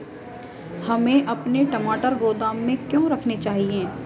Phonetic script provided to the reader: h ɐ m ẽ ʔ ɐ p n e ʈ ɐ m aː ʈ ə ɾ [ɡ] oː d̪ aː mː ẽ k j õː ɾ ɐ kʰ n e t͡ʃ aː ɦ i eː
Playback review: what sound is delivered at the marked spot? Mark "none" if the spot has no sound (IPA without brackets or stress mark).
ɡ